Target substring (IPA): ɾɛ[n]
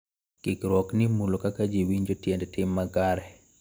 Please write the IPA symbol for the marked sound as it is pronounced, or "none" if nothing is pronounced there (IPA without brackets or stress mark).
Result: none